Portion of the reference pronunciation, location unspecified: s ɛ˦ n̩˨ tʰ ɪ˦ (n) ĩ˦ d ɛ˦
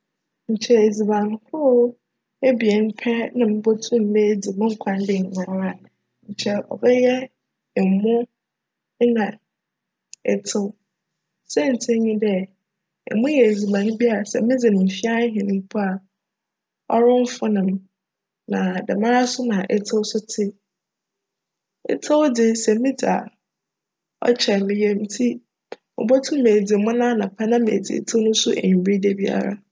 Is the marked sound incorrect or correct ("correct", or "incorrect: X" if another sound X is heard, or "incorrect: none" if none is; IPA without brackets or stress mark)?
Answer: incorrect: ɲ